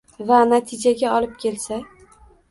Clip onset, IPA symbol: v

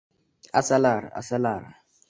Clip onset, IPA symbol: a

